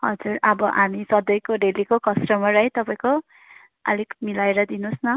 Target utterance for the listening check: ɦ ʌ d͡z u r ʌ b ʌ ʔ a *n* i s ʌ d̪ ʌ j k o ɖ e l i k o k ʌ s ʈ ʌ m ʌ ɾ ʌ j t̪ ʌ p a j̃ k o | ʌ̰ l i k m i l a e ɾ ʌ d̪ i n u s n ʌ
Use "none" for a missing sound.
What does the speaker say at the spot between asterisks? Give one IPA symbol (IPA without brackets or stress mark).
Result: m